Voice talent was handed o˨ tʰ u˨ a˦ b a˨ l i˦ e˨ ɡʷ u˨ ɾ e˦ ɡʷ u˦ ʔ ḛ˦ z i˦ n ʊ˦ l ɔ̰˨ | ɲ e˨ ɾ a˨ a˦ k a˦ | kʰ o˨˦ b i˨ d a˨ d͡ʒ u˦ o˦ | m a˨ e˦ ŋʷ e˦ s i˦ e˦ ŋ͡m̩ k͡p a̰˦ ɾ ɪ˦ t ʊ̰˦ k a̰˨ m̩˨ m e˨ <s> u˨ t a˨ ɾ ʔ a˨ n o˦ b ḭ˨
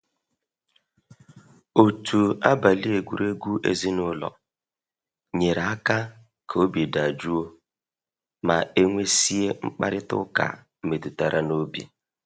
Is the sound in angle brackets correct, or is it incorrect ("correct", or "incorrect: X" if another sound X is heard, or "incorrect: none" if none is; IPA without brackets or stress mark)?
incorrect: t